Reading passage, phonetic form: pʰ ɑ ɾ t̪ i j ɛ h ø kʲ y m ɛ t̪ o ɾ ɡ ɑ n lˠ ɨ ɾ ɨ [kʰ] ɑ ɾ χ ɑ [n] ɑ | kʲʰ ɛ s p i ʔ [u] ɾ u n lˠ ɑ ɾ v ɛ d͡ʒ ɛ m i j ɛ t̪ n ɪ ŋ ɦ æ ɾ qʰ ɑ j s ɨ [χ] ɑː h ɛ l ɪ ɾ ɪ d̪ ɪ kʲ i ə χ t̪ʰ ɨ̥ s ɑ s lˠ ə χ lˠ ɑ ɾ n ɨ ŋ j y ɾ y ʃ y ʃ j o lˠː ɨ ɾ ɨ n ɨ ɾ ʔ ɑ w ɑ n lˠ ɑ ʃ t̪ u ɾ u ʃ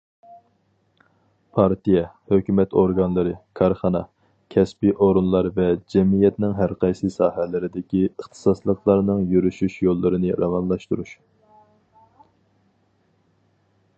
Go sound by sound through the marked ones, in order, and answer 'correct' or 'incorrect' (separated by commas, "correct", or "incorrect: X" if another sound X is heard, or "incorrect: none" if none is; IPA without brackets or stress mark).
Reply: correct, correct, incorrect: o, incorrect: s